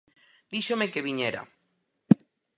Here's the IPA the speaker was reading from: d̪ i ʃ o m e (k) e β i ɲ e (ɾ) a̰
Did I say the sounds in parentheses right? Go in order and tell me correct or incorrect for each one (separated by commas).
correct, correct